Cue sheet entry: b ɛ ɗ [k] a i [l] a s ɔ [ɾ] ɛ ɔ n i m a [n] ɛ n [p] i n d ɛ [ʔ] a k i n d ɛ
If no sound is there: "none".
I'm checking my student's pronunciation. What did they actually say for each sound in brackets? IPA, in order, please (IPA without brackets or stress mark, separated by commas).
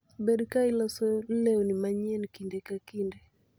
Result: k, l, l, ɲ, k, k